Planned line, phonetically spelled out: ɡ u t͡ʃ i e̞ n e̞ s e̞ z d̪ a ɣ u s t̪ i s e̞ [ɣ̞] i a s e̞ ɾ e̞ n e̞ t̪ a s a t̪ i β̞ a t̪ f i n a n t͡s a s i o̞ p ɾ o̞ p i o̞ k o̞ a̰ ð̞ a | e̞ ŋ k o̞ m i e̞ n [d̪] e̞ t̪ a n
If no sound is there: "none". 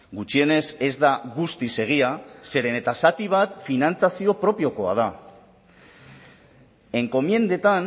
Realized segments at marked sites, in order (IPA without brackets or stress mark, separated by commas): ɣ̞, d̪